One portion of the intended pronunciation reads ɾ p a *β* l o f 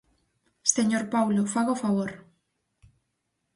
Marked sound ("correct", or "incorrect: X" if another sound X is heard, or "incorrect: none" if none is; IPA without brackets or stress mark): incorrect: w